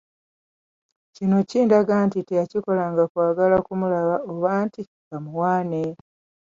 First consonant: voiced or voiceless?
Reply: voiceless